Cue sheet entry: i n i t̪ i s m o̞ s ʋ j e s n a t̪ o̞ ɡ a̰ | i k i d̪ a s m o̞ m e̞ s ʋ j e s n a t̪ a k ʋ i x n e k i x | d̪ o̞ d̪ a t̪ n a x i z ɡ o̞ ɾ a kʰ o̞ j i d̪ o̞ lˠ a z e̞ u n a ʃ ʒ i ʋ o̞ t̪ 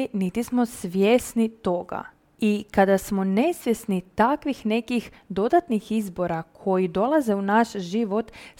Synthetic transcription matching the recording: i n i t̪ i s m o̞ s ʋ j e s n i t̪ o̞ ɡ a̰ | i k a d̪ a s m o̞ n e̞ s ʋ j e s n i t̪ a k ʋ i x n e k i x | d̪ o̞ d̪ a t̪ n i x i z b o̞ ɾ a kʰ o̞ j i d̪ o̞ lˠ a z e̞ u n a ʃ ʒ i ʋ o̞ t̪